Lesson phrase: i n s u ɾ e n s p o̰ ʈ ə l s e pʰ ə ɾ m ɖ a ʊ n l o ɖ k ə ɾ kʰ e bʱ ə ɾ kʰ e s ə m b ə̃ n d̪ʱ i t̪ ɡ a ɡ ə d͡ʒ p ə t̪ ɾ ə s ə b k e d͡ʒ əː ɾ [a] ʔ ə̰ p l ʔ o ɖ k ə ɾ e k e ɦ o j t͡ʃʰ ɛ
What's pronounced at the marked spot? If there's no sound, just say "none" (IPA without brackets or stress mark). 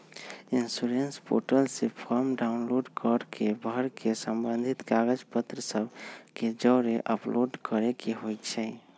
e